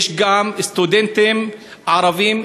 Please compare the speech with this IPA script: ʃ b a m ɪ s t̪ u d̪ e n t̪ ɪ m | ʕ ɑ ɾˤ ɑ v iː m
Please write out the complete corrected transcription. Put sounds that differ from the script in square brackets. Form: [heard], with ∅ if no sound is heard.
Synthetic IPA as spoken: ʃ [ɡ] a m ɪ s t̪ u d̪ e n t̪ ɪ m | ʕ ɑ ɾˤ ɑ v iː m